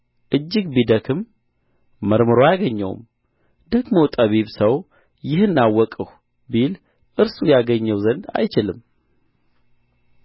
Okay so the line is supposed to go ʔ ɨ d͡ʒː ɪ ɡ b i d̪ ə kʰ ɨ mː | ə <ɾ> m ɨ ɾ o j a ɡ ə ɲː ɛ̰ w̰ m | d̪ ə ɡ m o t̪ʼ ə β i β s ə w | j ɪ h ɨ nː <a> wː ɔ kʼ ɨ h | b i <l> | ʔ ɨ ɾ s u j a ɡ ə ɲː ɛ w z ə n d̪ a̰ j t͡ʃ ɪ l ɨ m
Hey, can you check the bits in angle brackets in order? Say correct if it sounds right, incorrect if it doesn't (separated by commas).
correct, correct, correct